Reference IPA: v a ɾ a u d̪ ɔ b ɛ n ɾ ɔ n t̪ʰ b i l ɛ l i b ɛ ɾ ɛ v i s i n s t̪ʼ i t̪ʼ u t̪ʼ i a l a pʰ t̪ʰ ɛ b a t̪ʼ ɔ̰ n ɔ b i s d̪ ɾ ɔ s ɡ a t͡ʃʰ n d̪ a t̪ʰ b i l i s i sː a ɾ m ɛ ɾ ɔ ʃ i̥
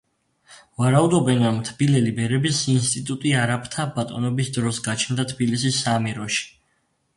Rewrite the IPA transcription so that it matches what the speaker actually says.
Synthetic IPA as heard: v a ɾ a u d̪ ɔ b ɛ n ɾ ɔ m t̪ʰ b i l ɛ l i b ɛ ɾ ɛ b i s i n s t̪ʼ i t̪ʼ u t̪ʼ i a ɾ a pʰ t̪ʰ a b a t̪ʼ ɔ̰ n ɔ b i s d̪ ɾ ɔ s ɡ a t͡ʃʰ n d̪ a t̪ʰ b i l i s i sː a m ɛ ɾ ɔ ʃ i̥